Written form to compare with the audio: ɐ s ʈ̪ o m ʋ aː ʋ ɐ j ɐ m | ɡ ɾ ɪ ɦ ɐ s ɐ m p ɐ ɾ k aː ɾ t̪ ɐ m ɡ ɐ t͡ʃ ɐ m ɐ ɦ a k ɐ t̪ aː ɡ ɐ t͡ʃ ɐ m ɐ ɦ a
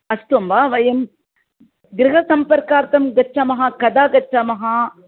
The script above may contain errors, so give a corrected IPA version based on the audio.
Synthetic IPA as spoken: ɐ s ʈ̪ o m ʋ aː ʋ ɐ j ɐ m | ɡ ɾ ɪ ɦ ɐ s ɐ m p ɐ ɾ k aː ɾ t̪ ɐ m ɡ ɐ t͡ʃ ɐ m ɐ ɦ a k ɐ d̪ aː ɡ ɐ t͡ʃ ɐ m ɐ ɦ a